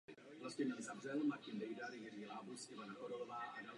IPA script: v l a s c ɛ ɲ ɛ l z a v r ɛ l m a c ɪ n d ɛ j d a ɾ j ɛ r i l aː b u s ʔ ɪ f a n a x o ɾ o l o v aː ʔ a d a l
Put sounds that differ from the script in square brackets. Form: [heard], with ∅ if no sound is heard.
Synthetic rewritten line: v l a s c ɛ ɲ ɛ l z a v r ɛ l m a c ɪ n d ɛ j d a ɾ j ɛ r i l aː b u s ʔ ɪ [v] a n a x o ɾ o l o v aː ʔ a d a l